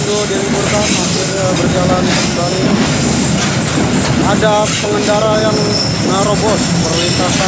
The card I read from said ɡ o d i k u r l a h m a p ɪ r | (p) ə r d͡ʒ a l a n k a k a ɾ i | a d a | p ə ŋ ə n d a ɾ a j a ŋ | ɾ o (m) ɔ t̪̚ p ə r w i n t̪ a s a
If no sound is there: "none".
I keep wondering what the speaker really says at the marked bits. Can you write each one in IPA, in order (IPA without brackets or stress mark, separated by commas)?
b, b